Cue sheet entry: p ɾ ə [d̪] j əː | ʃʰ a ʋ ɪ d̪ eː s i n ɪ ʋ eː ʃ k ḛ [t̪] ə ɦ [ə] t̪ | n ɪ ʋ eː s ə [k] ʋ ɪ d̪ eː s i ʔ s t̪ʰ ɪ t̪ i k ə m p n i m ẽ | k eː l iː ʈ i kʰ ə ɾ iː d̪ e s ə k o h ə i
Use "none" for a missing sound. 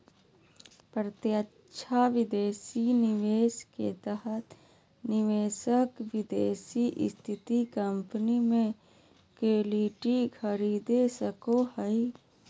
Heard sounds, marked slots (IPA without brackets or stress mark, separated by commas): t̪, t̪, ə, k